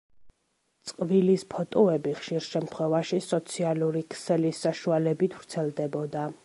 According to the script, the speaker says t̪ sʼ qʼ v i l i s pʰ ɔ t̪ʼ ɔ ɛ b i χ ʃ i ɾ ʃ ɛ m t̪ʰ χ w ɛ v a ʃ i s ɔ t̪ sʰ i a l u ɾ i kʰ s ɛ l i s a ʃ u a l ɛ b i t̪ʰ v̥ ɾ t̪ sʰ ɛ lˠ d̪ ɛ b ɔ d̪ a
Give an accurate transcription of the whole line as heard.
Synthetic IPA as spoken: t̪ sʼ qʼ v i l i s pʰ ɔ t̪ʼ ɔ ɛ b i χ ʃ i ɾ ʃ ɛ m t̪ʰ χ w ɛ v a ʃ i s ɔ t̪ sʰ i a l u ɾ i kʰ s ɛ l i s a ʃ u a l ɛ b i t̪ʰ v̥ ɾ t̪ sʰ ɛ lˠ d̪ ɛ b ɔ d̪ a